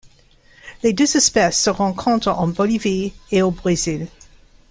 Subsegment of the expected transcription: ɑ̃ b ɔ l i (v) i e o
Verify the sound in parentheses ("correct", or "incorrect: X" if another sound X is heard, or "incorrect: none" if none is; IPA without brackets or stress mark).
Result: correct